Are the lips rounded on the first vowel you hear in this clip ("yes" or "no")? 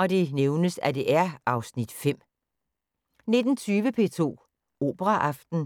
yes